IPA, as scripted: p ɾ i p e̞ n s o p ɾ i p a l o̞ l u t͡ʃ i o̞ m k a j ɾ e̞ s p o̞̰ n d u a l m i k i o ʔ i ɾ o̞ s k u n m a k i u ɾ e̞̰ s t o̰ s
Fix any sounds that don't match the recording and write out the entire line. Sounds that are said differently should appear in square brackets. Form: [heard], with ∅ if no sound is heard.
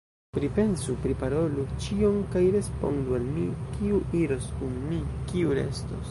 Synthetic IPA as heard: p ɾ i p e̞ n s [u] p ɾ i p a [ɾ] o̞ l u t͡ʃ i o̞ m k a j ɾ e̞ s p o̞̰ n d u a l m i k i [u] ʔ i ɾ o̞ s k u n m [i] k i u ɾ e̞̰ s t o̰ s